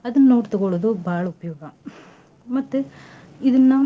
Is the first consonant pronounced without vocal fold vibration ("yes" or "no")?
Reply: no